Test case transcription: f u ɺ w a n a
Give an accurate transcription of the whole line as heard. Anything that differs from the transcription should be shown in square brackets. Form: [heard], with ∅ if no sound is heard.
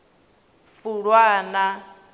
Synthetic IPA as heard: f u ɺ w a n a